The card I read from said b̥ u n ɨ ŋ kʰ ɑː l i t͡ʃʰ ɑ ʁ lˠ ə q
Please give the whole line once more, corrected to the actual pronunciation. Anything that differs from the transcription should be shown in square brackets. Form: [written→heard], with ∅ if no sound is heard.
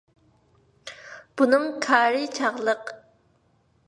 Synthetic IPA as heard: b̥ u n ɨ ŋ kʰ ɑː [l→ɾ] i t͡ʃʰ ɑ ʁ lˠ ə q